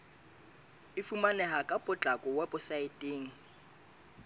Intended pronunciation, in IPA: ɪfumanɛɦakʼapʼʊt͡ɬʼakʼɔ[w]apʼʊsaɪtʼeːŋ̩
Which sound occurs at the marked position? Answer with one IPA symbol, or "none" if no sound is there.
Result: w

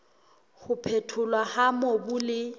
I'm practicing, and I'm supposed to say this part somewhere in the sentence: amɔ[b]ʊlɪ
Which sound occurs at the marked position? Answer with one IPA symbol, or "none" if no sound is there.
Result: b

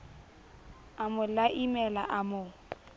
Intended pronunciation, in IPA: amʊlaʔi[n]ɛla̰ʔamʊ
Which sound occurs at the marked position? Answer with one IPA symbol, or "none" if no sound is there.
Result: m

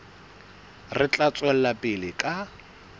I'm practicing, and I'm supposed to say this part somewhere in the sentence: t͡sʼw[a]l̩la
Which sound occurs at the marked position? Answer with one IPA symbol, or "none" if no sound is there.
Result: ɛ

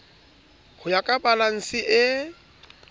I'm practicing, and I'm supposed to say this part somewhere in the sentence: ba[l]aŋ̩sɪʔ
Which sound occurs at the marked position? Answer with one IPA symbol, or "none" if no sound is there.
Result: l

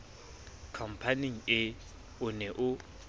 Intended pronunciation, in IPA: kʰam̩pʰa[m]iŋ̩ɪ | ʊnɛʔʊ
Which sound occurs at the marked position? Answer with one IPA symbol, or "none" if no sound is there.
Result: n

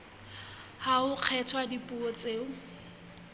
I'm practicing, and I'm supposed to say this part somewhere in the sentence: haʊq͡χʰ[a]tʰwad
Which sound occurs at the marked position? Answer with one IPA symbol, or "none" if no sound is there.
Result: ɛ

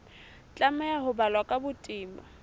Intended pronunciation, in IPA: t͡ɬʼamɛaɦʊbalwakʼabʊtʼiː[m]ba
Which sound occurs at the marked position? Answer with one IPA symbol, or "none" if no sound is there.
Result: m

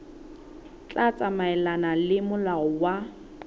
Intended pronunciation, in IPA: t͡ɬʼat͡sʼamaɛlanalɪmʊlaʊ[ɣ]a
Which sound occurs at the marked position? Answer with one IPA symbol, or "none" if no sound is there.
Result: w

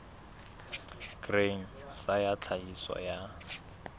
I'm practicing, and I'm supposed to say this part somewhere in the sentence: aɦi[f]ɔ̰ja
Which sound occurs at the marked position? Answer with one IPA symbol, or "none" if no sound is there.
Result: s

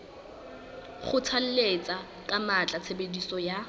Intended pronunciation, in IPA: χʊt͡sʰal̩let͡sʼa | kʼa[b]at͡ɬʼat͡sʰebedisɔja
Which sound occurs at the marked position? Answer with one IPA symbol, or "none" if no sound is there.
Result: m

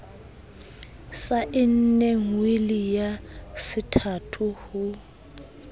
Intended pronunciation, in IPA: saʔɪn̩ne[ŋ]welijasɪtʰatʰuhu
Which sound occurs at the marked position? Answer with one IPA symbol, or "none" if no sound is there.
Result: ŋ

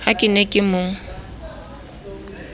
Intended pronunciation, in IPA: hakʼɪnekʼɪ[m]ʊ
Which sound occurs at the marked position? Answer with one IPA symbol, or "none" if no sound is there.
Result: m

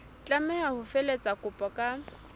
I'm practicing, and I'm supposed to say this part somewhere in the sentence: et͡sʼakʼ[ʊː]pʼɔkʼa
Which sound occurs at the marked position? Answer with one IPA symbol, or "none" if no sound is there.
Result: ʊ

